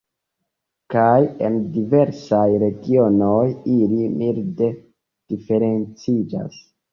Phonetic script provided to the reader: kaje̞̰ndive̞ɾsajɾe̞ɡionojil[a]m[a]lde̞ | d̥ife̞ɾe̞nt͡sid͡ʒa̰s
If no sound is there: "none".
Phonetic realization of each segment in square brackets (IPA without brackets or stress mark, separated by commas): i, i